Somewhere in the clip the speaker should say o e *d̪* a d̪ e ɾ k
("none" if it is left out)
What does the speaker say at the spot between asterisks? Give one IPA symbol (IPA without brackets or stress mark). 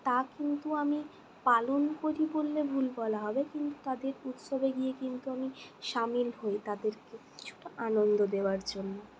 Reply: t̪